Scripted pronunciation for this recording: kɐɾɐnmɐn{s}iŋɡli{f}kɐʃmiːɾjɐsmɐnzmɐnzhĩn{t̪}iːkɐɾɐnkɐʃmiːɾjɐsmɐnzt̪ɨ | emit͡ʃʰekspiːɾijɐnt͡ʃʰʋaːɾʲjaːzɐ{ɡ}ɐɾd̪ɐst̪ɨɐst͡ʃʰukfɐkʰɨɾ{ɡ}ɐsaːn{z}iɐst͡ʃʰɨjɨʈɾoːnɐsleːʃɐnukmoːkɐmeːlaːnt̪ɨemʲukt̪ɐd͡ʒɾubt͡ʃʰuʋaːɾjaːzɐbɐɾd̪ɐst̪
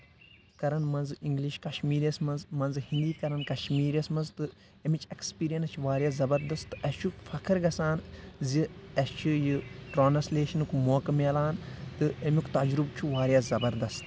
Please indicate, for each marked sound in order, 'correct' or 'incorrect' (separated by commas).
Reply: incorrect, incorrect, incorrect, incorrect, correct, correct